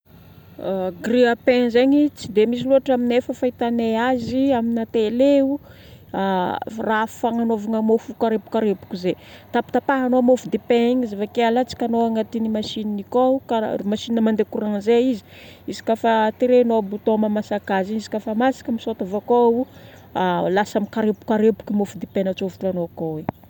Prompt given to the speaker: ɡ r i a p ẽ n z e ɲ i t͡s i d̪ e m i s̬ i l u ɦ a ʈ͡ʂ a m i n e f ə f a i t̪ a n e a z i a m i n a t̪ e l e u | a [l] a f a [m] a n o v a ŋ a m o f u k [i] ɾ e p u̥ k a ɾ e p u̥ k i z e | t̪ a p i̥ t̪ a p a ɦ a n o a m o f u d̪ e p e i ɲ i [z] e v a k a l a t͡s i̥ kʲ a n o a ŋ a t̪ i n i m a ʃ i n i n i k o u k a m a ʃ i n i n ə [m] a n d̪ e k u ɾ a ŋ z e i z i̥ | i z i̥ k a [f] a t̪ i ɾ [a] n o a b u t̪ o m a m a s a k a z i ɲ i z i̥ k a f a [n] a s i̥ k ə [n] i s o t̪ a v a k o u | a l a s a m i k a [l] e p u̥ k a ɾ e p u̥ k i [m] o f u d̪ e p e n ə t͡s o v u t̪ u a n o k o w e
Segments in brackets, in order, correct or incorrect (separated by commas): incorrect, incorrect, incorrect, correct, correct, correct, incorrect, incorrect, incorrect, incorrect, correct